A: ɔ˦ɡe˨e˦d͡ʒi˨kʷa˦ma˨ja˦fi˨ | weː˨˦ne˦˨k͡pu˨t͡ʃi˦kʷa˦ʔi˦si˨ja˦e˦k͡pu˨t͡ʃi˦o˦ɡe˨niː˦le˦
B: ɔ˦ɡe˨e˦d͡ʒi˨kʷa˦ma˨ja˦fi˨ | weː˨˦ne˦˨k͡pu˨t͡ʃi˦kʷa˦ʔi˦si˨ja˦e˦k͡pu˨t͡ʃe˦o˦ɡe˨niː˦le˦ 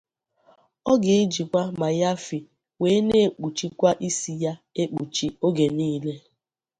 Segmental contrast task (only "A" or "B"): A